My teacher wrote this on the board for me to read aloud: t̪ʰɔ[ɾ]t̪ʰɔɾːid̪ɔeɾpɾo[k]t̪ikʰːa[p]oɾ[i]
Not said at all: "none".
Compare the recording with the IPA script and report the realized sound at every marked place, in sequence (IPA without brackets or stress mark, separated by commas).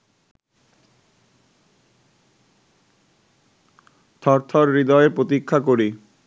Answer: ɾ, none, k, i